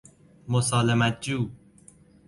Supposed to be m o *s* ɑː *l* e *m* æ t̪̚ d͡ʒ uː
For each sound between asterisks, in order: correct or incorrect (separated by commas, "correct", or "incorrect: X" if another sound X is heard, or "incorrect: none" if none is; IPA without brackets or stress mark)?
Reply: correct, correct, correct